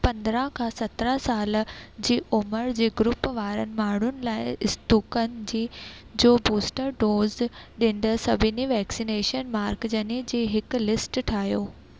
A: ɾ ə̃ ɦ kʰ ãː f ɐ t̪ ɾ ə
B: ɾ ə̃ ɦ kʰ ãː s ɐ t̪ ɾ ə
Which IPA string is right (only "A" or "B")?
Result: B